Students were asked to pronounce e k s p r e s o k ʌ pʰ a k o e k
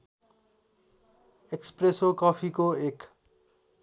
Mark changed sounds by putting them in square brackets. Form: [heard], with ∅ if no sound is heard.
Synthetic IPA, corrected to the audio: e k s p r e s o k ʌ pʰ [i] k o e k